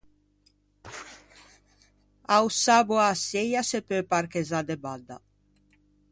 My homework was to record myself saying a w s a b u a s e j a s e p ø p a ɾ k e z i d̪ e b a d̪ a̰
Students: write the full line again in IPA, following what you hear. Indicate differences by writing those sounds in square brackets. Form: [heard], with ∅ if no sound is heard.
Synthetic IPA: a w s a b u a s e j a s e p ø p a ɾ k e z [a] d̪ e b a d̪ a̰